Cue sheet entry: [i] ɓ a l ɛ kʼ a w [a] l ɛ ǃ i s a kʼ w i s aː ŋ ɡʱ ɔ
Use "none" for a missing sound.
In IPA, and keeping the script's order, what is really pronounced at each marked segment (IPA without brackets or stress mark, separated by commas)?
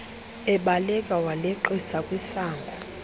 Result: ɛ, a